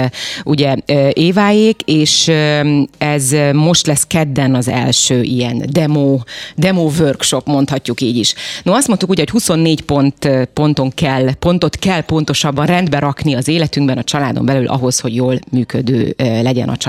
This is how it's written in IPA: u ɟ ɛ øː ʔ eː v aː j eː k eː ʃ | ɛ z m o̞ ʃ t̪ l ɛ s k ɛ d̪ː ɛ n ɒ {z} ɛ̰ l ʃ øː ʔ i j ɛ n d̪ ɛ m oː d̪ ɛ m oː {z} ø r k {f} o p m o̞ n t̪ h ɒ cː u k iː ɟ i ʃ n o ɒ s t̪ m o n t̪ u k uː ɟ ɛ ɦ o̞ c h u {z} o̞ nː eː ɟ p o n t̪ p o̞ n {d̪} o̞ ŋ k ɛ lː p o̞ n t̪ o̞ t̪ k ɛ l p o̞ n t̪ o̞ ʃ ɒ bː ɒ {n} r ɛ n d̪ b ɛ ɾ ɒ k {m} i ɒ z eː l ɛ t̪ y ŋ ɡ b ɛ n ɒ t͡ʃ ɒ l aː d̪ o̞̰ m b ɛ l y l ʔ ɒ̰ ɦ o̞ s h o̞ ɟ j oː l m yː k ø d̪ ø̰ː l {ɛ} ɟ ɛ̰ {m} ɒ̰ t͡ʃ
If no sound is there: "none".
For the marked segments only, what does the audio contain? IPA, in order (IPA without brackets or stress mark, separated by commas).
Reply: z, v, ʃ, s, t̪, n, n, ɛ, n